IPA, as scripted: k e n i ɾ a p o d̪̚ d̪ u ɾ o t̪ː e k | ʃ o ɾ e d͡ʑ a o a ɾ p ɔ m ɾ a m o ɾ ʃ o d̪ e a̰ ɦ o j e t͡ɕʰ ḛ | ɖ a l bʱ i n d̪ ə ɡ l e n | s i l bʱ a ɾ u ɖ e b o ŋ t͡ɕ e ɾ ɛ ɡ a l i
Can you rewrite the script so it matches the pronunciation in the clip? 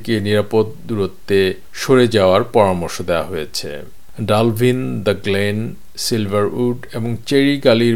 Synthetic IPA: k e n i ɾ a p o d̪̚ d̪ u ɾ o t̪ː e | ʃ o ɾ e d͡ʑ a o a ɾ p ɔ ɾ a m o ɾ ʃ o d̪ e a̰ ɦ o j e t͡ɕʰ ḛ | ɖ a l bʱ i n d̪ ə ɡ l e n | s i l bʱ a ɾ u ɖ e b o ŋ t͡ɕ e ɾ i ɡ a l i